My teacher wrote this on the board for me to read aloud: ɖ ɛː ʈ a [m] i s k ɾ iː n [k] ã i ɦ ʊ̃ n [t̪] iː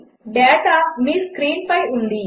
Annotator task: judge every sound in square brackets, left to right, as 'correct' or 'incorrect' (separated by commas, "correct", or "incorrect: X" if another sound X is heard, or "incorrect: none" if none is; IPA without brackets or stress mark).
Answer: correct, incorrect: p, incorrect: d̪